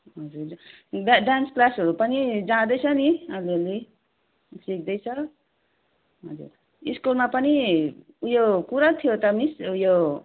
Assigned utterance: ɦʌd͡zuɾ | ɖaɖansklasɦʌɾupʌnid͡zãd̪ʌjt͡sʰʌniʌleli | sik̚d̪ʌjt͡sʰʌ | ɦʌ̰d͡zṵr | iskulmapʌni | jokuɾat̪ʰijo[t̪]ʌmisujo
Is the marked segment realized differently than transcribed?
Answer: no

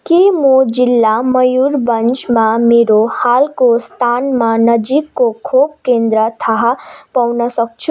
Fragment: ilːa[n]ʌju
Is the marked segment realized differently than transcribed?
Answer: yes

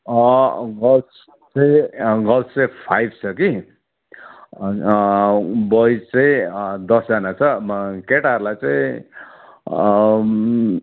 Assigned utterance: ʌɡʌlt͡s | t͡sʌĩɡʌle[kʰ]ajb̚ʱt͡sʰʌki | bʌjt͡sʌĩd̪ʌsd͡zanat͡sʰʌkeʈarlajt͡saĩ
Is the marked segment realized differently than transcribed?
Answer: yes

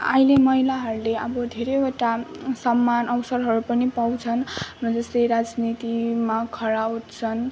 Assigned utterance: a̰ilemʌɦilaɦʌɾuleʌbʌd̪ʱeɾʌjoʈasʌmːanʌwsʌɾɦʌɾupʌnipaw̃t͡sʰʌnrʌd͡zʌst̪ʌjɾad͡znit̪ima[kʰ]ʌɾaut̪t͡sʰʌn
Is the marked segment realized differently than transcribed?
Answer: no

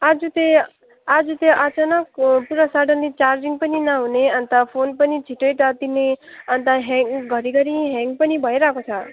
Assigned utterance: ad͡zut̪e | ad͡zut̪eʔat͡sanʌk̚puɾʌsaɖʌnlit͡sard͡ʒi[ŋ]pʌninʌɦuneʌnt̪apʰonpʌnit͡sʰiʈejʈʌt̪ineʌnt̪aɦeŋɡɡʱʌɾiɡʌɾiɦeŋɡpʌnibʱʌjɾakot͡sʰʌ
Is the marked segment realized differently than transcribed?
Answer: no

